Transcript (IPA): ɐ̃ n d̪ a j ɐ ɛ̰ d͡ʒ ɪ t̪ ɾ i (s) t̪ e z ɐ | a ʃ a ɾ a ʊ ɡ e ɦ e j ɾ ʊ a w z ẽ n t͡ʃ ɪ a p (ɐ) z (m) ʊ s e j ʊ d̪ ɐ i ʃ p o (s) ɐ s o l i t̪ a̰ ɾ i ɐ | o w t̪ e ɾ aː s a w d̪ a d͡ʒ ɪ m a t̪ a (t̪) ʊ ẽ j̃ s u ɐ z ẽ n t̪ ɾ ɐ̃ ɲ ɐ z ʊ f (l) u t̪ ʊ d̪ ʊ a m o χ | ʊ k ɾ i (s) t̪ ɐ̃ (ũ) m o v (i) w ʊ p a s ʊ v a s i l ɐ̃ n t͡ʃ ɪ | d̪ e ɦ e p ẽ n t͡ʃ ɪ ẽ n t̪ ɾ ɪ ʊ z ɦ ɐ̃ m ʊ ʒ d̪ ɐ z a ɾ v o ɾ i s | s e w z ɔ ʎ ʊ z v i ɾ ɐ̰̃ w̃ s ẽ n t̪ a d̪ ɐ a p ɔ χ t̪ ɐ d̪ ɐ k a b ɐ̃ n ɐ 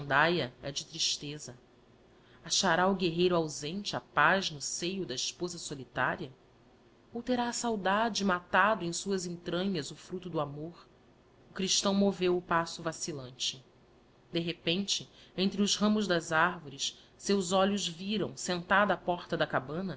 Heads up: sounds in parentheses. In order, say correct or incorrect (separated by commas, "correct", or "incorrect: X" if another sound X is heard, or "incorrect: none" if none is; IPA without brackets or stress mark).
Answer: incorrect: ʃ, incorrect: a, incorrect: n, incorrect: z, incorrect: d̪, incorrect: ɾ, incorrect: ʃ, incorrect: w̃, incorrect: e